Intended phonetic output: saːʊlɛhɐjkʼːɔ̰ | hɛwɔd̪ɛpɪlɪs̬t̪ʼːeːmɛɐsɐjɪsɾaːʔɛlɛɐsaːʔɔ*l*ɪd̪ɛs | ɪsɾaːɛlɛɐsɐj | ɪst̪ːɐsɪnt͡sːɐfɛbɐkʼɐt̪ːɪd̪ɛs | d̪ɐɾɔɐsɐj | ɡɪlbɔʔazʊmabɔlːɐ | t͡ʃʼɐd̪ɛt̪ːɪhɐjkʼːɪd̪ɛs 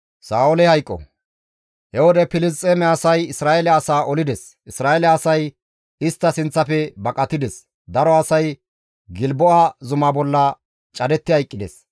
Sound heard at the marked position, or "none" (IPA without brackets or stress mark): l